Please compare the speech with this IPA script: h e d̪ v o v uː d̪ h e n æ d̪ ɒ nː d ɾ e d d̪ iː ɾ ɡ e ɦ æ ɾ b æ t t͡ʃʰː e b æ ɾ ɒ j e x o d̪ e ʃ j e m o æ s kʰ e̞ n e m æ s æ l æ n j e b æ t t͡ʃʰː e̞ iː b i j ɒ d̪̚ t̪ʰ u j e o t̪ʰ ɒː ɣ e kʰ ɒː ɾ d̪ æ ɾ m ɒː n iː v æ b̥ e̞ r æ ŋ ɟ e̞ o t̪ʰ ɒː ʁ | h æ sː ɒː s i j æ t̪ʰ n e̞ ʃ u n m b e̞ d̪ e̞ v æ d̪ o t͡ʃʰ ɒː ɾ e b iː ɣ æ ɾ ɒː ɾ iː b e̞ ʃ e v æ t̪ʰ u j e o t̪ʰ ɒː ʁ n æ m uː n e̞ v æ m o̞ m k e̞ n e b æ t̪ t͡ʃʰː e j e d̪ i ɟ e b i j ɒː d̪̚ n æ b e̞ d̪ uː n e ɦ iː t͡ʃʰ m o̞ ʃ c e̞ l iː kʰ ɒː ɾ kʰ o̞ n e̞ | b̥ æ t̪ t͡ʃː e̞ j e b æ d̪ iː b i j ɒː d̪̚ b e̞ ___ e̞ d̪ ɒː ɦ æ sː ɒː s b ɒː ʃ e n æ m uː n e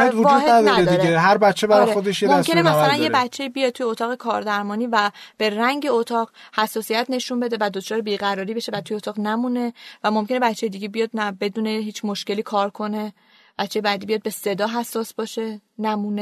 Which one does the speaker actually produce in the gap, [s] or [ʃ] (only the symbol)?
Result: s